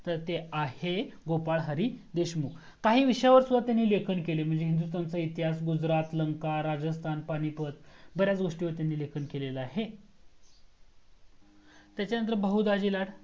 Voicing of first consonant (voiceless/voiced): voiceless